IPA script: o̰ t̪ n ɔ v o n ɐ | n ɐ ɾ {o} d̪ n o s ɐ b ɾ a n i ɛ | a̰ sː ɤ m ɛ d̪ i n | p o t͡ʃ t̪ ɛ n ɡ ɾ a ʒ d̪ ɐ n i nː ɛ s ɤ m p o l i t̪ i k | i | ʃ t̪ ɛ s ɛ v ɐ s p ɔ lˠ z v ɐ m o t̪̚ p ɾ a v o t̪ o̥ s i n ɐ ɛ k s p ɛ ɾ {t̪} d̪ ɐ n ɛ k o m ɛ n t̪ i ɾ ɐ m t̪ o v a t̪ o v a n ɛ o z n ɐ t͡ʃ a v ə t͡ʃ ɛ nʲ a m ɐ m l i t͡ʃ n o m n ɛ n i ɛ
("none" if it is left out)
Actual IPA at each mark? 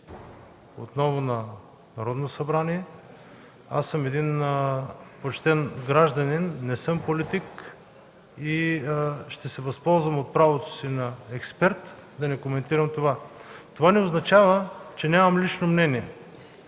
ɔ, t̪

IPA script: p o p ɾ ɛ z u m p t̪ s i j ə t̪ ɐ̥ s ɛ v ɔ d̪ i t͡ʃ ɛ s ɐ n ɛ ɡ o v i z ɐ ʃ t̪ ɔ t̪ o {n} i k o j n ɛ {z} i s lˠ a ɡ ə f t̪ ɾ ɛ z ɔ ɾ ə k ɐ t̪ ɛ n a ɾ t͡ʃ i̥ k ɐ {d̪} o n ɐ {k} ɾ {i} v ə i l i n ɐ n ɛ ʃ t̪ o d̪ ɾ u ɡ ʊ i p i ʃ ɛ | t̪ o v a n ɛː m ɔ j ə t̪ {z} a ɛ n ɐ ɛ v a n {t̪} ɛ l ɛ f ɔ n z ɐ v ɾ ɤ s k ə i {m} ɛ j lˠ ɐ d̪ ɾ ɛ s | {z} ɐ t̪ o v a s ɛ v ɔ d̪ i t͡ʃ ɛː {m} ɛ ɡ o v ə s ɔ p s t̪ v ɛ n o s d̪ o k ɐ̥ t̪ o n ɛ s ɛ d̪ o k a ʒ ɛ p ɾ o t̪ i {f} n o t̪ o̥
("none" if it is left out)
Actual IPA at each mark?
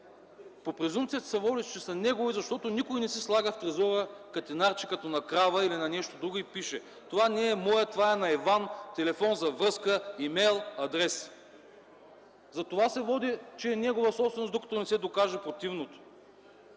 n, s, t̪, k, a, v, t̪, m, z, n, v

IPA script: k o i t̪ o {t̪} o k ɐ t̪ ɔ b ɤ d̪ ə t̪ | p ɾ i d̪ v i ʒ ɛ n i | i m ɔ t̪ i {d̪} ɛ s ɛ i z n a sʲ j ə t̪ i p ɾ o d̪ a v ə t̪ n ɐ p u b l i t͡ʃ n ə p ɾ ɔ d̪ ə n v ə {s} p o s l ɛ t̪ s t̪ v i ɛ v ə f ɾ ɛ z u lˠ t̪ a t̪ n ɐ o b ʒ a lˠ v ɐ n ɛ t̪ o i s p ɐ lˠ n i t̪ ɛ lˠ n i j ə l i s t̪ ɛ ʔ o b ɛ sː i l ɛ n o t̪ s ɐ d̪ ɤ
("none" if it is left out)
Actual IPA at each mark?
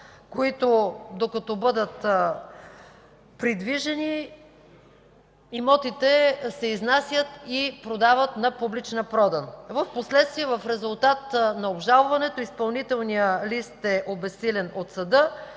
d̪, t̪, f

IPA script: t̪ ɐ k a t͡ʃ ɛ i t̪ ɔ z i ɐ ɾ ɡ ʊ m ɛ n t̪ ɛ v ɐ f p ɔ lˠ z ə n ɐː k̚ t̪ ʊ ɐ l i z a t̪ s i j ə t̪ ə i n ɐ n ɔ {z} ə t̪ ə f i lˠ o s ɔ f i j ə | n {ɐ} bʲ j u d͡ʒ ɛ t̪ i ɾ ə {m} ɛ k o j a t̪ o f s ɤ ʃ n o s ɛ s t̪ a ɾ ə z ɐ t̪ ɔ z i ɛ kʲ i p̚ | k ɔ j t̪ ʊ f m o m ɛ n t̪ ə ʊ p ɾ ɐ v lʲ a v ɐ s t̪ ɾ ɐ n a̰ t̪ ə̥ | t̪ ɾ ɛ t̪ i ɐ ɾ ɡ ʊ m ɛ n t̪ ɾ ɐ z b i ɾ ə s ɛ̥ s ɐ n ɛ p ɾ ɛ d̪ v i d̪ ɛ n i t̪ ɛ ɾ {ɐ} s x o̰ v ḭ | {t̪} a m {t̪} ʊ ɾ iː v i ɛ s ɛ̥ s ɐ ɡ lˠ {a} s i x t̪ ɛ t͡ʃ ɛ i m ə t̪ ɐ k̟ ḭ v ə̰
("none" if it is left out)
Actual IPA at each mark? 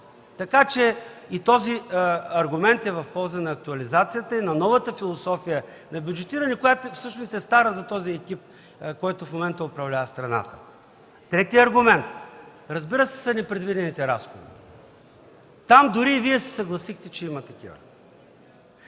v, ɐ, n, a, t̪, d̪, ɐ

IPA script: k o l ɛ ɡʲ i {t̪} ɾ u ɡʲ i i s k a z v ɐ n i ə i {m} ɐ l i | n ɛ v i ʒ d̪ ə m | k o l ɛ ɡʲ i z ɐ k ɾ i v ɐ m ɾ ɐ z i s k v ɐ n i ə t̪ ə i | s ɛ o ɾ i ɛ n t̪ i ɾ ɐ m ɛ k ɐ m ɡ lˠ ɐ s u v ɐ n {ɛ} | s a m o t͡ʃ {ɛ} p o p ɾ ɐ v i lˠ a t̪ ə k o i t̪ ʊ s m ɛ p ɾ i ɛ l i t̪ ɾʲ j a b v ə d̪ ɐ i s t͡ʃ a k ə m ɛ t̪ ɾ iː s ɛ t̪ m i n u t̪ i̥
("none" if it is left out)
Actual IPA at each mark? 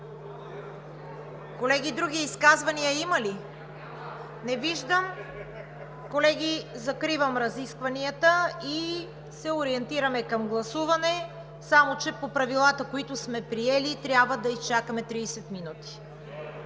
d̪, m, ɛ, ɛ

